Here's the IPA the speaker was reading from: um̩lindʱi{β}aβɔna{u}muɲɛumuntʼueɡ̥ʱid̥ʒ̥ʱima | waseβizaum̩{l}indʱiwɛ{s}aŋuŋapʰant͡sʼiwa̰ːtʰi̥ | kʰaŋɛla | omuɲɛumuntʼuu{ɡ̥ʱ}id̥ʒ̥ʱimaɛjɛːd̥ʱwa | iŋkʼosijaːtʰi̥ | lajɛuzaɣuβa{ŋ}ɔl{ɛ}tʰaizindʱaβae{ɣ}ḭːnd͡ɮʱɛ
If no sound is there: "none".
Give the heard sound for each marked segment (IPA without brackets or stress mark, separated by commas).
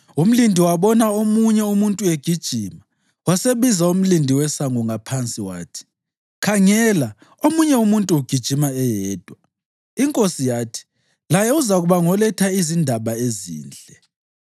w, o, l, s, ɡ̥ʱ, ŋ, ɛ, z